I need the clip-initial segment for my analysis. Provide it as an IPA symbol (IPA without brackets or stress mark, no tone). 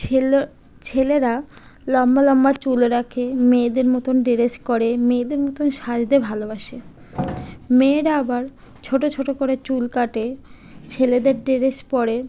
t͡ɕʰ